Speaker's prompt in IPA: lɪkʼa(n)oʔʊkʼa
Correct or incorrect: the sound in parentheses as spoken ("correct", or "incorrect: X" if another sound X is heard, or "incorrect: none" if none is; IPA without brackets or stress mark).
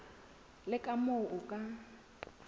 incorrect: m